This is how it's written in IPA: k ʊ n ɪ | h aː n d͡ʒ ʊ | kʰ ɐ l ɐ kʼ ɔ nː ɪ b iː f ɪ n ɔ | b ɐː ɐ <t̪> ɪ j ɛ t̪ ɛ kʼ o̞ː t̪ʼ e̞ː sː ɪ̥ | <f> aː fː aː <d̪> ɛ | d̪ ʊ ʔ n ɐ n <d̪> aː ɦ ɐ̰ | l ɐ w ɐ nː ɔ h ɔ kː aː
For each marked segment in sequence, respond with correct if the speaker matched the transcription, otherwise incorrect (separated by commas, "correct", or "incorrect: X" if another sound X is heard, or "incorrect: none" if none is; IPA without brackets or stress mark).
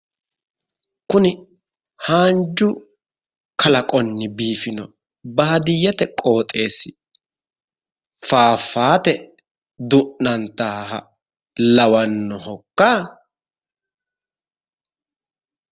incorrect: d̪, correct, incorrect: t̪, incorrect: t̪